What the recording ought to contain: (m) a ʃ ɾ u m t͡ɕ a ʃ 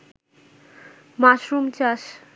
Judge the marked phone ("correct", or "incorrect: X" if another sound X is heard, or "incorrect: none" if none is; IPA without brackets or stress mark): correct